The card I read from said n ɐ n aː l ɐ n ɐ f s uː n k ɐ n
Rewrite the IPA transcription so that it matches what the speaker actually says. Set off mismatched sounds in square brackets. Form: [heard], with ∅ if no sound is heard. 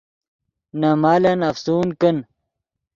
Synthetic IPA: n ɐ [m] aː l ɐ n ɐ f s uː n k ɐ n